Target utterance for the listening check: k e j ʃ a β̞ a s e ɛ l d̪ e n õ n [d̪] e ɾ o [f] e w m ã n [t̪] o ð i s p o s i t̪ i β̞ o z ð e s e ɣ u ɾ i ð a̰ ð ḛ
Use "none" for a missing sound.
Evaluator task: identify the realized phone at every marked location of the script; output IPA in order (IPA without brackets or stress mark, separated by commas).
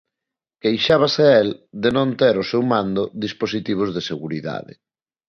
t̪, s, d̪